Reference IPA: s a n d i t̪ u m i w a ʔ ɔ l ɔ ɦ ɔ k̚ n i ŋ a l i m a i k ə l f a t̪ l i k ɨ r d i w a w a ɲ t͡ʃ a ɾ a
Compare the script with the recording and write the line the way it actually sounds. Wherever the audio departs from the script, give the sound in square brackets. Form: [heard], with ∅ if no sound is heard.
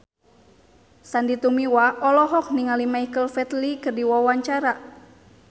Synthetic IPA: s a n d i t̪ u m i w a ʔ ɔ l ɔ ɦ ɔ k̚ n i ŋ a l i m a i k ə l f [ɛ] t̪ l i k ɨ r d i w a w a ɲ t͡ʃ a ɾ a